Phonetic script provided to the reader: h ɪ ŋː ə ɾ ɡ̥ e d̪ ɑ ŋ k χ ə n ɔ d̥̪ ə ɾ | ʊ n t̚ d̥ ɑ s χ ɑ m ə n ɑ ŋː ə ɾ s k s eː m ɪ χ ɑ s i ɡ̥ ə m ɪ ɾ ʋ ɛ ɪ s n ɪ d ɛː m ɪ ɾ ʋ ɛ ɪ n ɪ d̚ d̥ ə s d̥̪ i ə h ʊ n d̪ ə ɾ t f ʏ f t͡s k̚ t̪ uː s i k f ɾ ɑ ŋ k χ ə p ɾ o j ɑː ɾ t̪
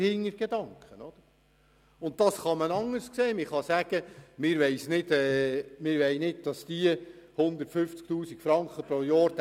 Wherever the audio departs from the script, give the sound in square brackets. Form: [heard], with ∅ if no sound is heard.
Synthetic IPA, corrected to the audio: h ɪ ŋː ə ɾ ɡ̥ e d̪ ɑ ŋ k χ ə n ɔ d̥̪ ə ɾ | ʊ n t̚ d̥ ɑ s χ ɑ m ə n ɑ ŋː ə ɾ s k s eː m ɪ χ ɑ s [æ] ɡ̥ ə m ɪ ɾ ʋ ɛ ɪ s n ɪ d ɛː m ɪ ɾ ʋ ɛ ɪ n ɪ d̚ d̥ [ɑ] s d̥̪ i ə h ʊ n d̪ ə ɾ t f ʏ f t͡s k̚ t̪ uː s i k f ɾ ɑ ŋ k χ ə p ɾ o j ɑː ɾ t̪